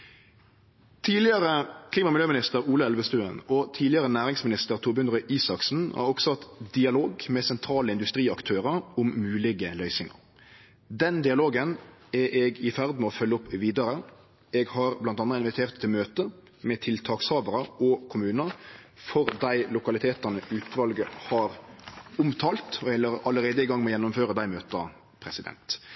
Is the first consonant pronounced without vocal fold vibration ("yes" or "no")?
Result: yes